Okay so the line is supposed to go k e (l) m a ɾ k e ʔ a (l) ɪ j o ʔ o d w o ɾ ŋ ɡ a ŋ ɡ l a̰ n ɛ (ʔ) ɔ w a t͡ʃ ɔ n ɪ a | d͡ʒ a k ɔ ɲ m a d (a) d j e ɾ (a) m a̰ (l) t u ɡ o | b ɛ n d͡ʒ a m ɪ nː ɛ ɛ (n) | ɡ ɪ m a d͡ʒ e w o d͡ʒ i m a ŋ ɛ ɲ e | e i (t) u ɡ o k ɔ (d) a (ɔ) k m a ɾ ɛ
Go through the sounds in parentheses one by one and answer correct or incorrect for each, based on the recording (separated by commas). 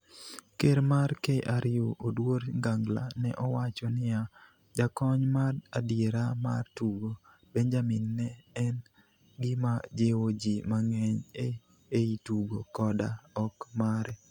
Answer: incorrect, incorrect, correct, correct, correct, incorrect, correct, correct, correct, correct